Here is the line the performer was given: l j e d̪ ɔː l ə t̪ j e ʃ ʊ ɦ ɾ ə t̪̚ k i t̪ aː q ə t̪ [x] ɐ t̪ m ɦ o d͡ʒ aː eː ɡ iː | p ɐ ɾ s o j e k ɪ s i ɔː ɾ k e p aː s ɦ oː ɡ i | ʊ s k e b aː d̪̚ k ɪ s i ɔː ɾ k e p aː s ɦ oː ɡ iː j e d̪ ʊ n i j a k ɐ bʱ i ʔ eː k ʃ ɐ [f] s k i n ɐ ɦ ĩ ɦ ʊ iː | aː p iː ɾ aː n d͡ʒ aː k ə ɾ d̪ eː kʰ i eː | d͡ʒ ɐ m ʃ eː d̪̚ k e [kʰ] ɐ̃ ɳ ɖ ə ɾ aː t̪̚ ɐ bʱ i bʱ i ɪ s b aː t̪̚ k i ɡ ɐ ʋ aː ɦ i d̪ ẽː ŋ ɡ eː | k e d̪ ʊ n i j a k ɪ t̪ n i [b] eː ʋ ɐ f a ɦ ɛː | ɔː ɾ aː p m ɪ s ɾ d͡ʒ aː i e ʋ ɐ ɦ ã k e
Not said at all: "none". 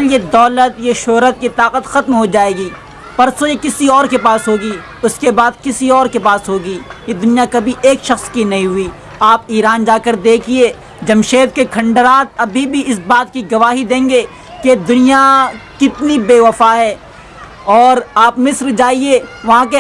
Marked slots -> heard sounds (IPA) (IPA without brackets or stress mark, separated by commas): x, x, kʰ, b